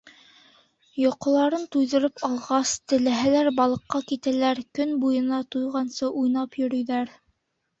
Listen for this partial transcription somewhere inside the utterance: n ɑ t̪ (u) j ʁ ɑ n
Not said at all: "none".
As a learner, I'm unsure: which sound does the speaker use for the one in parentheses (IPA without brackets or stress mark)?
u